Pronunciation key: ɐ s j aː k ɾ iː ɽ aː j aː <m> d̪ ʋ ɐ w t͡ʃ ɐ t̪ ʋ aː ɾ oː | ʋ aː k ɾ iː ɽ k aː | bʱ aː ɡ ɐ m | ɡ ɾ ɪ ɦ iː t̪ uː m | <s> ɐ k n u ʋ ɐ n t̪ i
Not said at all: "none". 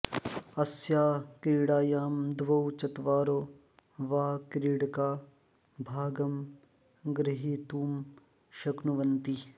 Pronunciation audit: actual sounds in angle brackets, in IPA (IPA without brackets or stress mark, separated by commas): m, ʃ